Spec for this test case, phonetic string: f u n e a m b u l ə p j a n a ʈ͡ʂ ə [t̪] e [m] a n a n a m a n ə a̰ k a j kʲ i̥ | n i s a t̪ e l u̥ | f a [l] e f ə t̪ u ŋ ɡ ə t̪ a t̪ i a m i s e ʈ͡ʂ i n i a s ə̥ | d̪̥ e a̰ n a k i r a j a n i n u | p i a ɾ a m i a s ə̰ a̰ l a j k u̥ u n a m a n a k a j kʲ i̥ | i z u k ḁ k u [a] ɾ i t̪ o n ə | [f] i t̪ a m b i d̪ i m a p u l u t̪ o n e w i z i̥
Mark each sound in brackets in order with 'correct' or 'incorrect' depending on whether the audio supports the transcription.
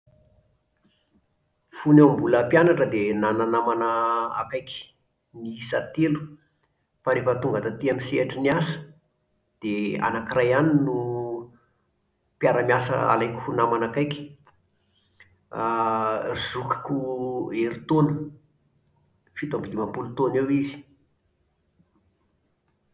incorrect: d̪, incorrect: n, incorrect: ɾ, incorrect: e, correct

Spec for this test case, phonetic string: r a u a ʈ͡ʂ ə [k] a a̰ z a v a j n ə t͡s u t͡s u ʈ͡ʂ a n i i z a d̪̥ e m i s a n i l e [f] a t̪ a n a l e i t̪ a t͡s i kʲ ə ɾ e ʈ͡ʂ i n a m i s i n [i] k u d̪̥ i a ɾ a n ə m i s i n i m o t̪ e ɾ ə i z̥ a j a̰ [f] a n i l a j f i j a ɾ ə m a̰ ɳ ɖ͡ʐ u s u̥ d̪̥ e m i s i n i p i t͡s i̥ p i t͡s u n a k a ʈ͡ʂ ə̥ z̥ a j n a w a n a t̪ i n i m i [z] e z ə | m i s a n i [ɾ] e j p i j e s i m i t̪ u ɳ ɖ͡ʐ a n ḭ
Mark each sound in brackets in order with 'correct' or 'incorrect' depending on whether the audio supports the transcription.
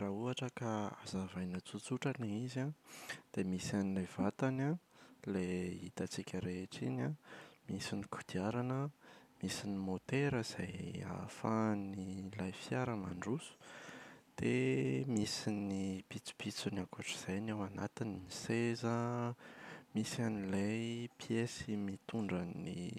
correct, incorrect: v, correct, correct, incorrect: s, incorrect: l

